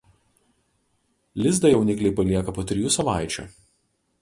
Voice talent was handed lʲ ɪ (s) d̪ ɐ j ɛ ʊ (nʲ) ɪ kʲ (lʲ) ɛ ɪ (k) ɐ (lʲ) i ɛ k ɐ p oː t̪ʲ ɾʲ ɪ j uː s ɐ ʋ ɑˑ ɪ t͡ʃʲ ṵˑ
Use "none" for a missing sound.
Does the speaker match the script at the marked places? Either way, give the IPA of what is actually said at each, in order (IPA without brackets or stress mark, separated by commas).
z, nʲ, lʲ, p, lʲ